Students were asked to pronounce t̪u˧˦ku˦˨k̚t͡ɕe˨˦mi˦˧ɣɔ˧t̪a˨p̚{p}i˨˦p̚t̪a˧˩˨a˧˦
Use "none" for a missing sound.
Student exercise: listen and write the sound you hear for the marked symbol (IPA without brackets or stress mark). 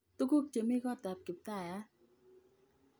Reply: k